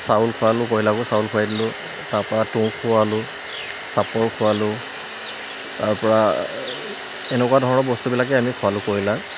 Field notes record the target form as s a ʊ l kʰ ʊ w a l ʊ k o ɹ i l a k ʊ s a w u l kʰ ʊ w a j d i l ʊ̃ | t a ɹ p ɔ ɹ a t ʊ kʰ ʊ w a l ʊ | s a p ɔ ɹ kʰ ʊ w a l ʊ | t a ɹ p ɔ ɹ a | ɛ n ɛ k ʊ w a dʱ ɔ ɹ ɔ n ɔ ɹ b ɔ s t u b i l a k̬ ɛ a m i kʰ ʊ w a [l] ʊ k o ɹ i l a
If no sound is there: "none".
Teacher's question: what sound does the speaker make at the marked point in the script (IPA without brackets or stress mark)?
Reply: l